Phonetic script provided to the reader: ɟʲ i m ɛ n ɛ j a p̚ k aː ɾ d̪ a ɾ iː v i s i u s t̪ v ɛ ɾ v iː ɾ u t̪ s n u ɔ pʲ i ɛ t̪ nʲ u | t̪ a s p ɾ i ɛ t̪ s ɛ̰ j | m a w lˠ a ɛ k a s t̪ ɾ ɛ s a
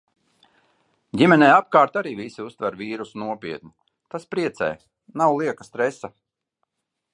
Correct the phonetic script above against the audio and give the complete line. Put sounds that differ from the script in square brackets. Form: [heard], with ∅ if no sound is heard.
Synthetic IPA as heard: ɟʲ i m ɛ n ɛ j a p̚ k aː ɾ [t̪] a ɾ iː v i s i u s t̪ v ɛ ɾ v iː ɾ u [∅] s n u ɔ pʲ i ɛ t̪ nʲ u | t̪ a s p ɾ i ɛ t̪ s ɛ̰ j | [n] a w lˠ [i] ɛ k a s t̪ ɾ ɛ s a